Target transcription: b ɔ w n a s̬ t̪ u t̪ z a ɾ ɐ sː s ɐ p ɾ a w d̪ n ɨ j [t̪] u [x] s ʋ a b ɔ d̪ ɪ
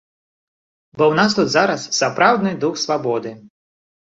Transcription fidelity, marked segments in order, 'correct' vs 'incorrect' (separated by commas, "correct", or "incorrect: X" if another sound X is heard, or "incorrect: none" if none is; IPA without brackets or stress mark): incorrect: d̪, correct